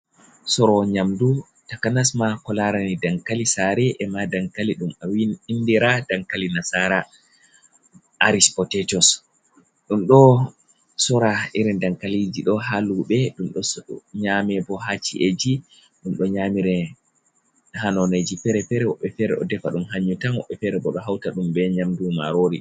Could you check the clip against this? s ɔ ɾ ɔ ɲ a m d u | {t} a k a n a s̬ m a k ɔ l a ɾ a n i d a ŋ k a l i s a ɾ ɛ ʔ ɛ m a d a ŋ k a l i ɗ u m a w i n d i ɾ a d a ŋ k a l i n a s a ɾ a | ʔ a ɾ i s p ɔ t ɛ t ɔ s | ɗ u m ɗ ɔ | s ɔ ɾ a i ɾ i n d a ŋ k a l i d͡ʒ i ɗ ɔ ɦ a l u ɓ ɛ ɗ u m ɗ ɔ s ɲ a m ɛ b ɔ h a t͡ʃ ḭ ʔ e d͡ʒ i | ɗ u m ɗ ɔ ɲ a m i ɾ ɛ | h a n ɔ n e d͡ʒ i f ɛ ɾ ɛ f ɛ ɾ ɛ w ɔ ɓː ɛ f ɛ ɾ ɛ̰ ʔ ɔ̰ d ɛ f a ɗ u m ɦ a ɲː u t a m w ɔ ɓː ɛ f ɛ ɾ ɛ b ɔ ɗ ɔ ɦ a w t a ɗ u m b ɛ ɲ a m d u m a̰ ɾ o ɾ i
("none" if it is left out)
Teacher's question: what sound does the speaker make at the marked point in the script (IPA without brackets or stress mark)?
t